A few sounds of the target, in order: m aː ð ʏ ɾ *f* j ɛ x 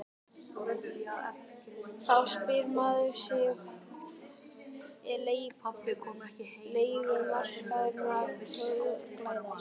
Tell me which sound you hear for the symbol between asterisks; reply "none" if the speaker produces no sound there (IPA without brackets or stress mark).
s